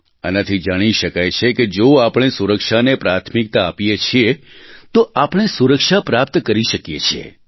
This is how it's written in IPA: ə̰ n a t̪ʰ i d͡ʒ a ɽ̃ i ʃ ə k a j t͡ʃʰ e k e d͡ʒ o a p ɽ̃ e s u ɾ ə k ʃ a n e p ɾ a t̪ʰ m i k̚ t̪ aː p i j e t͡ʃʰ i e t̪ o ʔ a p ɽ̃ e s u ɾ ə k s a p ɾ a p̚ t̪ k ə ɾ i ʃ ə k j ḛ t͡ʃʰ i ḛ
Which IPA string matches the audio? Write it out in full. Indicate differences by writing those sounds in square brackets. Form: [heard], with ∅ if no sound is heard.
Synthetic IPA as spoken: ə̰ n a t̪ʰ i d͡ʒ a ɽ̃ i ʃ ə k a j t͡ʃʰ e k e d͡ʒ o a p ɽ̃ e s u ɾ ə k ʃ a n e p ɾ a t̪ʰ m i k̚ t̪ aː p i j e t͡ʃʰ i e t̪ o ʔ a p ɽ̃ e s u ɾ ə k [ʃ] a p ɾ a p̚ t̪ k ə ɾ i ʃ ə k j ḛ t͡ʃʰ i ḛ